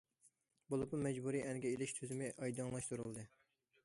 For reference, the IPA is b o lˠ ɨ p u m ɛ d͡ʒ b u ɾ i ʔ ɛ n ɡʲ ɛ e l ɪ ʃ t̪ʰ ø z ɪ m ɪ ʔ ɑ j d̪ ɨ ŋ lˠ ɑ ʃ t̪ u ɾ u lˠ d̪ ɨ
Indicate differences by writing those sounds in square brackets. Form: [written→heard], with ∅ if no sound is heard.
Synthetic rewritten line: b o lˠ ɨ p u m ɛ d͡ʒ b u ɾ i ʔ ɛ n ɡʲ ɛ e l ɪ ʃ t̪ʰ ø z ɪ m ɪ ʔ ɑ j d̪ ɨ ŋ lˠ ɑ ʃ t̪ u ɾ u lˠ d̪ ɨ